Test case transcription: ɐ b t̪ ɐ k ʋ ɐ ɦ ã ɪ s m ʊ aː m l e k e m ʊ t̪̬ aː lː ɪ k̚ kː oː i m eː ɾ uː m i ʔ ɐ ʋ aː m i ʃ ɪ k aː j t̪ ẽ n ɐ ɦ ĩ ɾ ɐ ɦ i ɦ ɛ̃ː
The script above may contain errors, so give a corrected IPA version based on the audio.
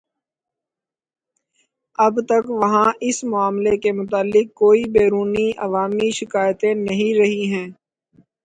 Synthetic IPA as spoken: ɐ b t̪ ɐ k ʋ ɐ ɦ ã ɪ s m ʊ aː m l e k e m ʊ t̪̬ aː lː ɪ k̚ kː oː i b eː ɾ uː n i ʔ ɐ ʋ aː m i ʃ ɪ k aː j t̪ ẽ n ɐ ɦ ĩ ɾ ɐ ɦ i ɦ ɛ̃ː

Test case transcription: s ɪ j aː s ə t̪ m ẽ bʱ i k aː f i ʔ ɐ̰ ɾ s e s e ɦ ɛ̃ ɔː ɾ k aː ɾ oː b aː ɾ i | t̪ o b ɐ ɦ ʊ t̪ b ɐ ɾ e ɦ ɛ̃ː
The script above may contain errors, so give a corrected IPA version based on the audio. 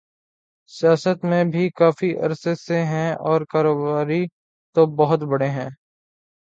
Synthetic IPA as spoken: s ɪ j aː s ə t̪ m ẽ bʱ i k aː f i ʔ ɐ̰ ɾ s e s e ɦ ɛ̃ ɔː ɾ k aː ɾ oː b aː ɾ i | t̪ o b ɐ ɦ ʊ t̪ b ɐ ɽ e ɦ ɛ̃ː

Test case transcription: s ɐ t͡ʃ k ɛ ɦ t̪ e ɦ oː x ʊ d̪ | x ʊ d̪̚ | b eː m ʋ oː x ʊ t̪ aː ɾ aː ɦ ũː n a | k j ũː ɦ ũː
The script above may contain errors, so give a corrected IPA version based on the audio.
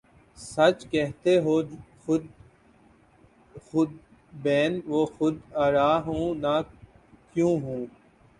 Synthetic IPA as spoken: s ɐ t͡ʃ k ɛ ɦ t̪ e ɦ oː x ʊ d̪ | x ʊ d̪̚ | b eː n ʋ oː x ʊ d̪ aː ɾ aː ɦ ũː n a | k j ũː ɦ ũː

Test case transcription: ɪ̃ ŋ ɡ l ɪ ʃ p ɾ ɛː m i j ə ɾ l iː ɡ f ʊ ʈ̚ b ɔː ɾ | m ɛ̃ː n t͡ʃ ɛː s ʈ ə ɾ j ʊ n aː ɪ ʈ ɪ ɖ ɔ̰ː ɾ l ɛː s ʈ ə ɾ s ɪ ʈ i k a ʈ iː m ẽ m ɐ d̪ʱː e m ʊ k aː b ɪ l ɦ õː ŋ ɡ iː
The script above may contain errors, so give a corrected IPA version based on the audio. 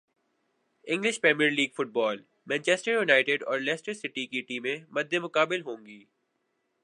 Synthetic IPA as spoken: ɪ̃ ŋ ɡ l ɪ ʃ p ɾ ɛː m i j ə ɾ l iː ɡ f ʊ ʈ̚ b ɔː l | m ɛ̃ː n t͡ʃ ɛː s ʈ ə ɾ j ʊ n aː ɪ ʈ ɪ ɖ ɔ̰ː ɾ l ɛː s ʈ ə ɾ s ɪ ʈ i k i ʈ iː m ẽ m ɐ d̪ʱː e m ʊ k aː b ɪ l ɦ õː ŋ ɡ iː

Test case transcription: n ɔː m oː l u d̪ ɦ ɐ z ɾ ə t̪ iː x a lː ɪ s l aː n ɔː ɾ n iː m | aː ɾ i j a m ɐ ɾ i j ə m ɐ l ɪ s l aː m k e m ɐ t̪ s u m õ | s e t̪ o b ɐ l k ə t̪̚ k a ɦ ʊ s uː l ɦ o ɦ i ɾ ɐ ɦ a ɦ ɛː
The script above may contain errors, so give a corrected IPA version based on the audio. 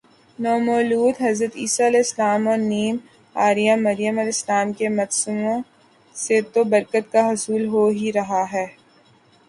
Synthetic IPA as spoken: n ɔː m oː l uː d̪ ɦ ɐ z ɾ ə t̪ iː s a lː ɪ s l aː m ɔː ɾ n iː m | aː ɾ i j a m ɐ ɾ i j ə m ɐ l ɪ s l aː m k e m ɐ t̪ s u m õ | s e t̪ o b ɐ ɾ k ə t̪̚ k a ɦ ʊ s uː l ɦ o ɦ i ɾ ɐ ɦ a ɦ ɛː

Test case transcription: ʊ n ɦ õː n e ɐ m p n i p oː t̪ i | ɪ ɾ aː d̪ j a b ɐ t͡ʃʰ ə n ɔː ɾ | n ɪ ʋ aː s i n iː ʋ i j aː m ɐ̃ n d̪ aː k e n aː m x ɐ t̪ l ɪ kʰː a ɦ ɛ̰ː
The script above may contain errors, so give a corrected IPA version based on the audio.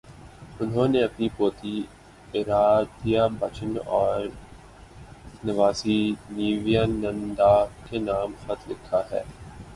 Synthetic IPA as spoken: ʊ n ɦ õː n e ɐ p n i p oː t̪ i | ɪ ɾ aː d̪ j a b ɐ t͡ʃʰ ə n ɔː ɾ | n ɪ ʋ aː s i n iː ʋ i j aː n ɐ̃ n d̪ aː k e n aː m x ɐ t̪ l ɪ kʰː a ɦ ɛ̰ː

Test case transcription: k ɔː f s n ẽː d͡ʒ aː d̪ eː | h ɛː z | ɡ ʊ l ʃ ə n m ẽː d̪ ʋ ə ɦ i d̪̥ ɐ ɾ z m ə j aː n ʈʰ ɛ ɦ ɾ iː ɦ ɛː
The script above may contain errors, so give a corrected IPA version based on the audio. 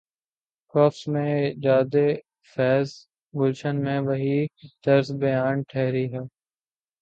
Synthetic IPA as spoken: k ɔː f s m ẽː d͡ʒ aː d̪ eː | f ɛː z | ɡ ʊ l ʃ ə n m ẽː ʋ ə ɦ i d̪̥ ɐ ɾ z b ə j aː n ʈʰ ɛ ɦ ɾ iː ɦ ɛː

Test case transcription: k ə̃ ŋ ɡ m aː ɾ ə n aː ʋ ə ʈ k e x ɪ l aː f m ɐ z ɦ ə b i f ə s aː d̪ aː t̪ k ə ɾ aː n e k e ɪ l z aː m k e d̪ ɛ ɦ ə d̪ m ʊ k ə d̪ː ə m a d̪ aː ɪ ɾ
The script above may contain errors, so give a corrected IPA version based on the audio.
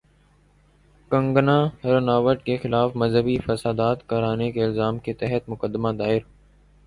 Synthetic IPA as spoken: k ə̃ ŋ ɡ n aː ɾ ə n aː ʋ ə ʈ k e x ɪ l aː f m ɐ z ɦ ə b i f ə s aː d̪ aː t̪ k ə ɾ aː n e k e ɪ l z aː m k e t̪ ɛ ɦ ə t̪ m ʊ k ə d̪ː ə m a d̪ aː ɪ ɾ

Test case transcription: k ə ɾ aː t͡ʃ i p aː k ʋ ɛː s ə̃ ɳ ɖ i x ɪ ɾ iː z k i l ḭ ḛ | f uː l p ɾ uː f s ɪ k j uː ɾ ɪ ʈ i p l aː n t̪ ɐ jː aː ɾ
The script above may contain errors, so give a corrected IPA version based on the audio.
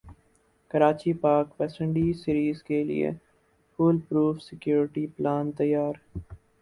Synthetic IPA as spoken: k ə ɾ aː t͡ʃ i p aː k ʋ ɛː s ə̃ ɳ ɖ i s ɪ ɾ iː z k e l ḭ ḛ | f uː l p ɾ uː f s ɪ k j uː ɾ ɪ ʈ i p l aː n t̪ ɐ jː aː ɾ

